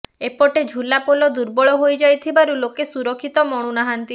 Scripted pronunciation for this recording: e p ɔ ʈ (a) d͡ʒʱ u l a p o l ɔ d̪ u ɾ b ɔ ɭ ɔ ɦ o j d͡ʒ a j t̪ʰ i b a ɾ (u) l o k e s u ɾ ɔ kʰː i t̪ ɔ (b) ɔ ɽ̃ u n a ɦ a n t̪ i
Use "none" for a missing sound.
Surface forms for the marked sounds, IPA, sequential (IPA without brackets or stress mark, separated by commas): e, u, m